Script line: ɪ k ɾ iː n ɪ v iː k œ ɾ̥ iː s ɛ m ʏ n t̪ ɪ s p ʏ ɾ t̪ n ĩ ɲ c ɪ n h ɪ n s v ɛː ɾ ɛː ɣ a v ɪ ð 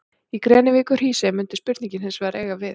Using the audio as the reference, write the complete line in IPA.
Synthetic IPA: i k ɾ ɛː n ɪ v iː k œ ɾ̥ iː s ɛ m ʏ n t̪ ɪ s p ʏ ɾ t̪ n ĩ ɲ c ɪ n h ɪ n s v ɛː ɾ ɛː ɣ a v ɪ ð